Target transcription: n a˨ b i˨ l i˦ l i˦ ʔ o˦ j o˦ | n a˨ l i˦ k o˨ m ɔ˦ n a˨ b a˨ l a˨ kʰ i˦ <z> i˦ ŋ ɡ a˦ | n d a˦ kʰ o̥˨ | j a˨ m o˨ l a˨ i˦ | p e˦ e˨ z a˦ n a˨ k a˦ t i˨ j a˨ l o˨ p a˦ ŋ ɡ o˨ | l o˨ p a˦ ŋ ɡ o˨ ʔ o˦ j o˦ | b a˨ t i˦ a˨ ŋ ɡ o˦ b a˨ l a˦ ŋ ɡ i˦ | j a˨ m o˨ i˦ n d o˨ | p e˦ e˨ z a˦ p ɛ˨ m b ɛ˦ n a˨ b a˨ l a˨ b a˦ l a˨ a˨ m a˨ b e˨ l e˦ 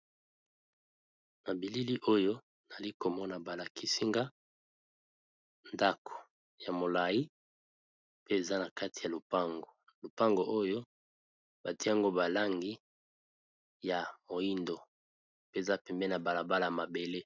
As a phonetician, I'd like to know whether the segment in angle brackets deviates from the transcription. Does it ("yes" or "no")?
yes